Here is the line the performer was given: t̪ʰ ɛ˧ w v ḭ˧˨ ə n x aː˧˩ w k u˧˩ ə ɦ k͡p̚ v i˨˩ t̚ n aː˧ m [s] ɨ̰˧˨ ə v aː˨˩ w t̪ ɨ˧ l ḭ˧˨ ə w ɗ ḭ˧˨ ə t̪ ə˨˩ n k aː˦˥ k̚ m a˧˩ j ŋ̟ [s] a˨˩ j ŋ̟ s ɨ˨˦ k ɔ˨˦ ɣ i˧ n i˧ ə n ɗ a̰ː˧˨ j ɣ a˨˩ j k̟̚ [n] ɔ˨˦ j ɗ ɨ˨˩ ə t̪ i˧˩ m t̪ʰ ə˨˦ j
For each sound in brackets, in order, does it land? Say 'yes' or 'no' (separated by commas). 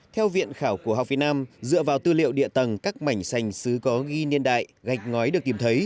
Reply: no, yes, no